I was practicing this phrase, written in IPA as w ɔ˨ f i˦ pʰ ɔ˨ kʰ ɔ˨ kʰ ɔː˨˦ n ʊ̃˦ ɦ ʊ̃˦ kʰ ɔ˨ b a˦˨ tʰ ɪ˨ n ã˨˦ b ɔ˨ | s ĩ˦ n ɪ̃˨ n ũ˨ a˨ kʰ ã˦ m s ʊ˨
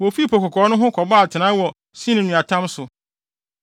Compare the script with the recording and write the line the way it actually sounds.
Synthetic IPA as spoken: w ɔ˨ f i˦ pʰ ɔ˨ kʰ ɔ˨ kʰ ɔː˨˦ n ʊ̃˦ ɦ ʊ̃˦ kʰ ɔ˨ b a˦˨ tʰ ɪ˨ n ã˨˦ w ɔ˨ | s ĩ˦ n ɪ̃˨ n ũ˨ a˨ tʰ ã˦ m s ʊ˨